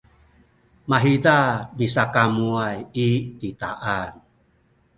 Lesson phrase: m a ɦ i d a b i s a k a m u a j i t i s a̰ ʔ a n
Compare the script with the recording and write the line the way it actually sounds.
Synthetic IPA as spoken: m a ɦ i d a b i s a k a m u a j i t i t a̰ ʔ a n